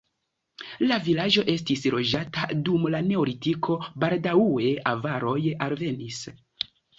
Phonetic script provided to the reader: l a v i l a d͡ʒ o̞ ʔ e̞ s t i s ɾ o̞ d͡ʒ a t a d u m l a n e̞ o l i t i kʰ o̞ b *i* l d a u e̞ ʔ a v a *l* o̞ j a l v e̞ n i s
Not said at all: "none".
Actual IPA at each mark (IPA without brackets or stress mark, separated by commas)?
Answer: a, ɾ